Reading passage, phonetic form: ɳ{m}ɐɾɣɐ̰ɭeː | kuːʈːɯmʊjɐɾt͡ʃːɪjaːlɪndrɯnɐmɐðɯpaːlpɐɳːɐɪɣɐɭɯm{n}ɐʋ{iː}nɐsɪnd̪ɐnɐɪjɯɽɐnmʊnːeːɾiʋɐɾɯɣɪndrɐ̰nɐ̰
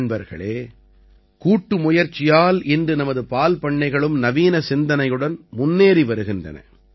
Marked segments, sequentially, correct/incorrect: incorrect: b, correct, correct

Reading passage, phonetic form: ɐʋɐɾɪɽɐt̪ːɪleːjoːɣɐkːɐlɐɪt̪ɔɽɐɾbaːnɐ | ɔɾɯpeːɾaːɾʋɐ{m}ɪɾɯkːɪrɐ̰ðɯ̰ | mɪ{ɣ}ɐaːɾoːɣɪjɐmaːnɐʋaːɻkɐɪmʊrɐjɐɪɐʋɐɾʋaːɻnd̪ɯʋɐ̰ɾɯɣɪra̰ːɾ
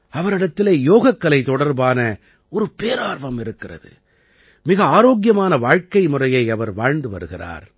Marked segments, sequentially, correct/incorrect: correct, correct

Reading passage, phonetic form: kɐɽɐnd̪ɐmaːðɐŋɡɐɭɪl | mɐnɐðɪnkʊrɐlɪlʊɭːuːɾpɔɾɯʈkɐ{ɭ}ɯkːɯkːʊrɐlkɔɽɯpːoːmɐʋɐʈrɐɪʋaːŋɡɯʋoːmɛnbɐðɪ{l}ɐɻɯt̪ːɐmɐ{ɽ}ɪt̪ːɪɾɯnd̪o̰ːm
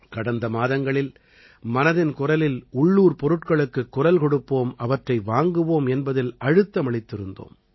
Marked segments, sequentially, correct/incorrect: correct, correct, incorrect: ɭ

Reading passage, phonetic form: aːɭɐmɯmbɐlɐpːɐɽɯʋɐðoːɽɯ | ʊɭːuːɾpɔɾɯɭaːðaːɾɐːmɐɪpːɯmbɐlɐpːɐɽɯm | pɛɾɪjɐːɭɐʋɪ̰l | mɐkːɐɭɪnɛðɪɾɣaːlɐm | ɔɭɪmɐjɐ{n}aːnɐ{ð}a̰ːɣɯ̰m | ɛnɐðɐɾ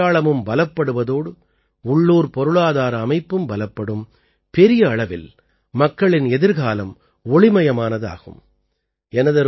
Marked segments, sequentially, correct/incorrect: incorrect: m, correct

